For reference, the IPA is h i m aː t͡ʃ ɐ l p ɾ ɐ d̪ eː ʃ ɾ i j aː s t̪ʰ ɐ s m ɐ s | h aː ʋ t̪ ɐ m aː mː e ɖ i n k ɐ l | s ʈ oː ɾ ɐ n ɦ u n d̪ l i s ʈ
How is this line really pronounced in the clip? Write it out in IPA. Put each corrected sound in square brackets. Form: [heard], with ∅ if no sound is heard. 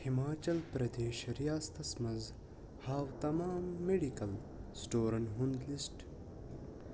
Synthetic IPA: h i m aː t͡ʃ ɐ l p ɾ ɐ d̪ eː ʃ ɾ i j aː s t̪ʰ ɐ s m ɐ [z] | h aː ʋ t̪ ɐ m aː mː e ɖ i [∅] k ɐ l | s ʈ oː ɾ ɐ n ɦ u n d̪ l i s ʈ